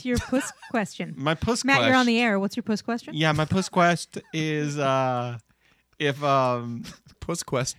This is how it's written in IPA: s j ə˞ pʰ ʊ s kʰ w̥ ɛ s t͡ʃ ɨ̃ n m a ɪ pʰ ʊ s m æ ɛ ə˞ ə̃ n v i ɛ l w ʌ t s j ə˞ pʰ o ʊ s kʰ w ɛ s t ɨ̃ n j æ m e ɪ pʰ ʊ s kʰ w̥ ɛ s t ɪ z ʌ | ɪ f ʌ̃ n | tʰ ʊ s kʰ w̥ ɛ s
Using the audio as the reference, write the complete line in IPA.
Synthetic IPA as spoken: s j ə˞ pʰ ʊ s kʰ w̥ ɛ s t͡ʃ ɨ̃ n m a ɪ pʰ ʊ s m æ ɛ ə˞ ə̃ n ð i ɛ ɹ w ʌ t s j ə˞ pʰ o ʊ s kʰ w ɛ s t͡ʃ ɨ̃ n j æ m a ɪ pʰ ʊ s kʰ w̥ ɛ s t ɪ z ʌ | ɪ f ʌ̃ m | pʰ ʊ s kʰ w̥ ɛ s